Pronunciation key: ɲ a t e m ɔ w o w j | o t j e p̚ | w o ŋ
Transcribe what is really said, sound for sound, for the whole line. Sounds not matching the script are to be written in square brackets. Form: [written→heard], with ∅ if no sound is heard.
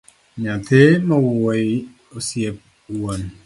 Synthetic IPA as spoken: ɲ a t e m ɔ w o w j | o [t→s] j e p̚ | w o [ŋ→n]